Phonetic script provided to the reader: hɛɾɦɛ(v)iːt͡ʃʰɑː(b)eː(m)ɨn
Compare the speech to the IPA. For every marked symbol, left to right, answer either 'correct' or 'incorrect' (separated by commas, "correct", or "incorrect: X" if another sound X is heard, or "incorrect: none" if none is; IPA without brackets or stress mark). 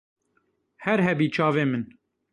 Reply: incorrect: b, incorrect: v, correct